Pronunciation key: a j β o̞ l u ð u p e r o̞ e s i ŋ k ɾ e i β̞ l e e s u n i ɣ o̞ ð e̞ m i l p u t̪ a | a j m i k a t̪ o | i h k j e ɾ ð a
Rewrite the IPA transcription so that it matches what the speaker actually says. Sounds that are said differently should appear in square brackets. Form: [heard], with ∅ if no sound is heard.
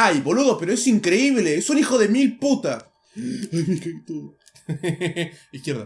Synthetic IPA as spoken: a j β o̞ l u ð [o] p e [ɾ] o̞ e s i ŋ k ɾ e i β̞ l e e s u n i [x] o̞ ð e̞ m i l p u t̪ a | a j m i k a t̪ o | i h k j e ɾ ð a